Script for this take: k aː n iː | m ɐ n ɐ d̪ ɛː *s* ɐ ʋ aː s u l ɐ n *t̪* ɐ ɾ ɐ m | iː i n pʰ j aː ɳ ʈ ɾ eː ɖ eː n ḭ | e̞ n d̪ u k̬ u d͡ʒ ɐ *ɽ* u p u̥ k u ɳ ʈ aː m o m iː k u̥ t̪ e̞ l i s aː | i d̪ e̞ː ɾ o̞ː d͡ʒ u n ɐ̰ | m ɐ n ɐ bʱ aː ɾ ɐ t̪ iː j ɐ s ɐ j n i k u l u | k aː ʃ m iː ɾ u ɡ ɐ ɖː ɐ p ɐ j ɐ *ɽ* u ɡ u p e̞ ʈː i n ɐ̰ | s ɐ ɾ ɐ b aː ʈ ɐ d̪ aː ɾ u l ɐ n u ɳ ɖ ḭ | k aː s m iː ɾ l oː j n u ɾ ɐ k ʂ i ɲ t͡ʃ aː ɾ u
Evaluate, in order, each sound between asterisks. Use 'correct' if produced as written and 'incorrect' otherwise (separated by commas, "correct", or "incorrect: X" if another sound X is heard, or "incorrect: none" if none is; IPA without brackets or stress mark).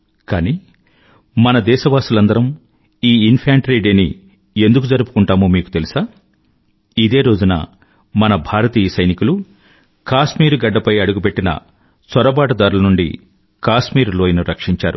incorrect: ʃ, incorrect: d̪, incorrect: ɾ, correct